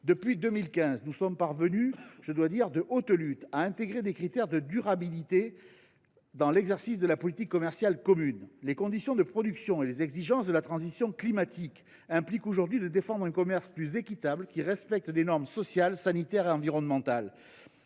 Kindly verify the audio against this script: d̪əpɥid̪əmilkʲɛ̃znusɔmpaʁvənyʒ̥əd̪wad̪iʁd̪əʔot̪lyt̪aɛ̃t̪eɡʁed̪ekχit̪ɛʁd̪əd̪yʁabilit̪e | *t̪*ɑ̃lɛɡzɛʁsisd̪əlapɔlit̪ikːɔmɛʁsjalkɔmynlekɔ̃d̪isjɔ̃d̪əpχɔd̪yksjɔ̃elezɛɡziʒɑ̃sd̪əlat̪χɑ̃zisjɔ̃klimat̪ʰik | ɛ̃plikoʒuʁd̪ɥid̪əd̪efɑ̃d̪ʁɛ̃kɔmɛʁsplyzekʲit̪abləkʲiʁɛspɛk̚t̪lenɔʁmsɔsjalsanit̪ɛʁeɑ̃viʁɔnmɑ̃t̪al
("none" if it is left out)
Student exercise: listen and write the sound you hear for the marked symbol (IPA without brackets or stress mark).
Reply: d̪